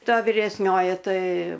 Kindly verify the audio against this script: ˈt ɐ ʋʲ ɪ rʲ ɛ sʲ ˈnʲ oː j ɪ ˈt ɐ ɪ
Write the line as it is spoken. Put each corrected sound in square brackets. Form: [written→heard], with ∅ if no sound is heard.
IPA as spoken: ˈt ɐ ʋʲ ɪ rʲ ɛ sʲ ˈnʲ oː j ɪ ˈt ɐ ɪ